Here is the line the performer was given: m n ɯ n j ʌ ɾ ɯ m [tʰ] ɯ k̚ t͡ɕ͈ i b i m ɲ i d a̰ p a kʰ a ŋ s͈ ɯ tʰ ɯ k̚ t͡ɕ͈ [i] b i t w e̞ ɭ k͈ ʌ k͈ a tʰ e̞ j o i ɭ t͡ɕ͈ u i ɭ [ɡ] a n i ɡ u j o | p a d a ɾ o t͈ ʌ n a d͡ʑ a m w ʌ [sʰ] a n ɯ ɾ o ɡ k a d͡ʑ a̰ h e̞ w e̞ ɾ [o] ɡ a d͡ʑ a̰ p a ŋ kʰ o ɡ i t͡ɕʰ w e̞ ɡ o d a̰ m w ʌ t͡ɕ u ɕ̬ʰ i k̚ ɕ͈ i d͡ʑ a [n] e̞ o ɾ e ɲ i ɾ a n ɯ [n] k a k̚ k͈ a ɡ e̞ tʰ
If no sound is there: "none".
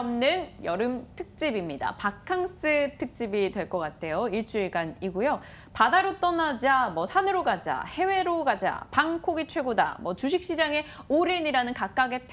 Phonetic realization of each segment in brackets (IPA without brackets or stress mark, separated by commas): tʰ, i, ɡ, sʰ, o, ŋ, n